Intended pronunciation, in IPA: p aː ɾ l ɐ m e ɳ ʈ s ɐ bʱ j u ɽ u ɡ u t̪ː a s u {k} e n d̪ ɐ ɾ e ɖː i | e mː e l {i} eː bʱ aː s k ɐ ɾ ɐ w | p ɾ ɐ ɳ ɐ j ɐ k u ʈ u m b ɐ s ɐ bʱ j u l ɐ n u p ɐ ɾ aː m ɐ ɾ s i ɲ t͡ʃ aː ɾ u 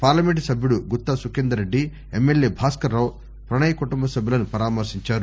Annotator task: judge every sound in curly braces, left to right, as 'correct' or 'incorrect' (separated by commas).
correct, incorrect